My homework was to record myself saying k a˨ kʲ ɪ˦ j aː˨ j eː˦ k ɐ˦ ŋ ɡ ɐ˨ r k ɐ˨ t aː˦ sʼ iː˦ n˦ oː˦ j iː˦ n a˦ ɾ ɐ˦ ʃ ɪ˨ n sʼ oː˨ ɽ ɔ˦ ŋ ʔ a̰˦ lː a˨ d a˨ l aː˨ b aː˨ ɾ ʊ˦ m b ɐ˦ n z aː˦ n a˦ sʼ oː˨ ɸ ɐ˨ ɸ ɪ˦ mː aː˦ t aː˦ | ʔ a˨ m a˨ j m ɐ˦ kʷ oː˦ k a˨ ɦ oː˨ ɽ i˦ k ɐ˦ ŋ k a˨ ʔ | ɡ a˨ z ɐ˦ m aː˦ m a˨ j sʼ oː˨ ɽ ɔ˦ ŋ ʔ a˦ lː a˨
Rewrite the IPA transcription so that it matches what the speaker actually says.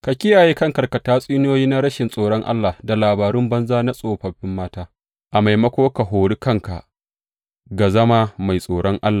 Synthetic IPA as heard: k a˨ kʲ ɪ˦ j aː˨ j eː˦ k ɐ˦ ŋ k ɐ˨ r k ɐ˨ t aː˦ sʼ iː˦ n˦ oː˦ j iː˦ n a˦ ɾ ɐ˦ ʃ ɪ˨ n sʼ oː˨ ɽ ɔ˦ ŋ ʔ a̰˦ lː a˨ d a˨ l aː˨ b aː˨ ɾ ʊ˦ m b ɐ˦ n z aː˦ n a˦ sʼ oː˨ ɸ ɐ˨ ɸ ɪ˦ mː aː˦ t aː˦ | ʔ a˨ m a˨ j m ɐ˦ kʷ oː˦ k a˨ ɦ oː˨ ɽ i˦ k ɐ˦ ŋ k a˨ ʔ | ɡ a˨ z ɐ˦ m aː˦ m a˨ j sʼ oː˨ ɽ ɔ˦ ŋ ʔ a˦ lː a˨